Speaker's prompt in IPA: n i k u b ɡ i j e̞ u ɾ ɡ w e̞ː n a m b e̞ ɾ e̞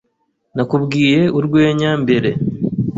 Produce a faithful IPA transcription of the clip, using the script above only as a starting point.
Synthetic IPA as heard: n a k u b ɡ iː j e̞ u ɾ ɡ w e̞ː ɲ a m b e̞ ɾ e̞